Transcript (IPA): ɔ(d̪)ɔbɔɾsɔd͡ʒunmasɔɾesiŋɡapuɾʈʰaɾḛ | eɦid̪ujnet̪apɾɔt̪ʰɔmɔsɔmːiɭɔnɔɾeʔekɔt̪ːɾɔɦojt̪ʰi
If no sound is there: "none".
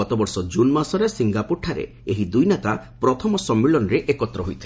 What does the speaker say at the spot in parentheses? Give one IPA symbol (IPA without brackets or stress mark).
t̪